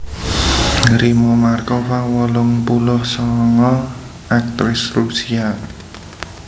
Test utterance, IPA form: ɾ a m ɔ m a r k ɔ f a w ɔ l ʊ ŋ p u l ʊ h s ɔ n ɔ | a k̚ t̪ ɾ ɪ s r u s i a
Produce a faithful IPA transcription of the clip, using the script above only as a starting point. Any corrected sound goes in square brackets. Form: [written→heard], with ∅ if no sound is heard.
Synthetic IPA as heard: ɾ [a→i] m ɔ m a r k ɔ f a w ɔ l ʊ ŋ p u l ʊ h s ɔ [n→ŋ] ɔ | a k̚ t̪ ɾ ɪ s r u s i a